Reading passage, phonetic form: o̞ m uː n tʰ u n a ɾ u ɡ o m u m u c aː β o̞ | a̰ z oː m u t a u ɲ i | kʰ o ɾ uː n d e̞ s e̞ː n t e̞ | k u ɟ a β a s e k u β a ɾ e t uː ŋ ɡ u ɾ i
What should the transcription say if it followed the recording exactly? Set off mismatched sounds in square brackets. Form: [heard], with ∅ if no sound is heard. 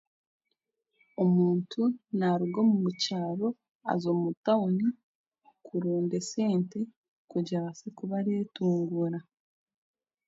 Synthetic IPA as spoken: o̞ m uː n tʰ u n a ɾ u ɡ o m u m u c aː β o̞ | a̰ z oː m u t a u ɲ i | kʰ [u] ɾ uː n d e̞ s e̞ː n t e̞ | k u ɟ a β a s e k u β a ɾ e t uː ŋ ɡ u ɾ [a]